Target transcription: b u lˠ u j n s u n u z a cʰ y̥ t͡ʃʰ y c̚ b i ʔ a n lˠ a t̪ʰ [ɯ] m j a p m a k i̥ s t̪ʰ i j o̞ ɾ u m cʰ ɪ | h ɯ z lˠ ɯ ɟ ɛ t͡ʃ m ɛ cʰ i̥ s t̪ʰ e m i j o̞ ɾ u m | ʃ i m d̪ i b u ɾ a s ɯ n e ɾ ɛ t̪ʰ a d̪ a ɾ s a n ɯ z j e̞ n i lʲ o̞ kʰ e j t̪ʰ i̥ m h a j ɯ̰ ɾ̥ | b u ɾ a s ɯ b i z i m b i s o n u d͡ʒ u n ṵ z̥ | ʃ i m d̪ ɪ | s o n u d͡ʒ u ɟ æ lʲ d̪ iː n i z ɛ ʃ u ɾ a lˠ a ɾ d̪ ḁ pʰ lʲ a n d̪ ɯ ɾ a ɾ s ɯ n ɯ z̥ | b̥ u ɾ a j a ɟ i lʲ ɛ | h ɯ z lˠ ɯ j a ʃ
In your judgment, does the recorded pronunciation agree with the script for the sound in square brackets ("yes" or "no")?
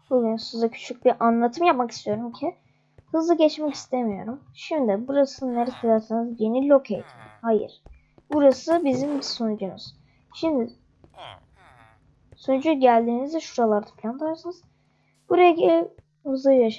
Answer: yes